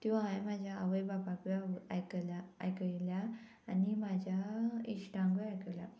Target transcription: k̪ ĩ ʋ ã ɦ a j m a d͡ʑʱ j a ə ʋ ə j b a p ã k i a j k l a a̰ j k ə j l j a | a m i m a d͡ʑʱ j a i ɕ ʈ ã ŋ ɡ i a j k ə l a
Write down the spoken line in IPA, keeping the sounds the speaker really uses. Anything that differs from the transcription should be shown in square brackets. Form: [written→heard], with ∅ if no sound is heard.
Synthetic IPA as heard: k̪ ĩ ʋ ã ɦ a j m a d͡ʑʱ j a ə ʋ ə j b a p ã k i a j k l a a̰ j k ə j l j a | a [m→n] i m a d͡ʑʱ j a i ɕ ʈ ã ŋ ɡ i a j k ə l a